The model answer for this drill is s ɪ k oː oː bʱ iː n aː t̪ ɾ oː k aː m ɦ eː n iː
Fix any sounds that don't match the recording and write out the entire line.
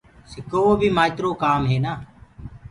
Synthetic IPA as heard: s ɪ k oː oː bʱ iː m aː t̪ ɾ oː k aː m ɦ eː n aː